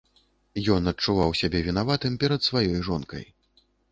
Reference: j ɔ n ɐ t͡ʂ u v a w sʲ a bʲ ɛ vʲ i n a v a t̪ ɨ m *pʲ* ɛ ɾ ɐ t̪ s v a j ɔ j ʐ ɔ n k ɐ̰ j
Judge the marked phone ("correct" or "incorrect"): correct